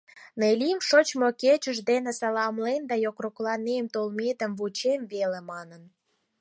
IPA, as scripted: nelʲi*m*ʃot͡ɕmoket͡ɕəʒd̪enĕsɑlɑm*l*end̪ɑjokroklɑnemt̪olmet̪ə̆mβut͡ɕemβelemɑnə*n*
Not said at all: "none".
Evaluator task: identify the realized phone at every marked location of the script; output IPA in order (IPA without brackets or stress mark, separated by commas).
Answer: m, l, n